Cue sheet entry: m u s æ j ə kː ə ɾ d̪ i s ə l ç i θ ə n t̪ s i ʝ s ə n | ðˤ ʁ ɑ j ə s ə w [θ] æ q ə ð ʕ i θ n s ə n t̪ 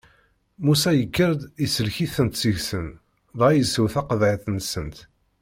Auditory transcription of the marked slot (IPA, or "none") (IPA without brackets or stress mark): θ